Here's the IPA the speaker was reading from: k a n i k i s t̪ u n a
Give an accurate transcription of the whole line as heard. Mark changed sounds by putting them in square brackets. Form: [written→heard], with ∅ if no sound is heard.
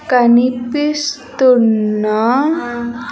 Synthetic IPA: k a n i [k→p] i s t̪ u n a